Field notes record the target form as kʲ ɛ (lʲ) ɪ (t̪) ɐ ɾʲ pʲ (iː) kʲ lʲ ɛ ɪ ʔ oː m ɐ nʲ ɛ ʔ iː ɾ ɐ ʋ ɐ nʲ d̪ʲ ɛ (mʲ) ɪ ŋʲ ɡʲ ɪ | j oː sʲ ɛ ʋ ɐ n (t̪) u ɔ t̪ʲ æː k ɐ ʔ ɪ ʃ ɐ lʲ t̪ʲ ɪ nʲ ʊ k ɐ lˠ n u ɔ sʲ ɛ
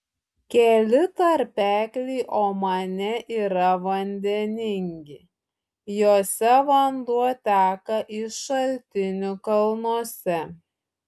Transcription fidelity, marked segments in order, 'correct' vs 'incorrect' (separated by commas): correct, correct, incorrect, incorrect, incorrect